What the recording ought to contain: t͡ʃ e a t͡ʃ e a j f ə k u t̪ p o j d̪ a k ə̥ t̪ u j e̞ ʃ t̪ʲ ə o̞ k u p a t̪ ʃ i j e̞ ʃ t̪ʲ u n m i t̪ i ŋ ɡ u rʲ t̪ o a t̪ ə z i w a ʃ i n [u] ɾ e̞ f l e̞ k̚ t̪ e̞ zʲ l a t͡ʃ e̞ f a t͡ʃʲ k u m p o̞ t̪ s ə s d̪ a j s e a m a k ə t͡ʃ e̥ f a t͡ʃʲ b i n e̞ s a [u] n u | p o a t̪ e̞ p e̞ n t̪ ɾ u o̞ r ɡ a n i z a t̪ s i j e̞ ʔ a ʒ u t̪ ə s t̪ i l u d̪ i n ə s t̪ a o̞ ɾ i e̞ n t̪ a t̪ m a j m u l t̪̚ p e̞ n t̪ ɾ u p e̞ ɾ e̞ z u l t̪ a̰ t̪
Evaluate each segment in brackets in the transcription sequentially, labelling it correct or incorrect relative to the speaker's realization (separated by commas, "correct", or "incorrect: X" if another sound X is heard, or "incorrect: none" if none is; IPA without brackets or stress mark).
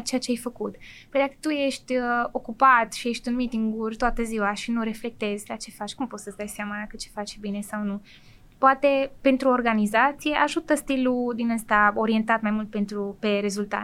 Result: correct, incorrect: w